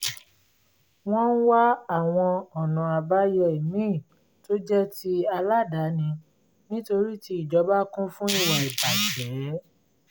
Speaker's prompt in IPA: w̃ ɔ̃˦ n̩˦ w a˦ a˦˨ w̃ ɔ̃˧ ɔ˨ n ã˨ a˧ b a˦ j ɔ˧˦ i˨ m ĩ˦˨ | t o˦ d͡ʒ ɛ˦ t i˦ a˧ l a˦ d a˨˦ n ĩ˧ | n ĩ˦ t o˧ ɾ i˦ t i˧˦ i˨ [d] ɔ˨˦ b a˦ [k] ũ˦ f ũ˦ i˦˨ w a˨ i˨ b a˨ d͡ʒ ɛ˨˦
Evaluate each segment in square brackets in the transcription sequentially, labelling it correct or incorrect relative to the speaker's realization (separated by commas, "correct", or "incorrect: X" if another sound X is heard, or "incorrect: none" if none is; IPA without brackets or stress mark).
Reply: incorrect: d͡ʒ, correct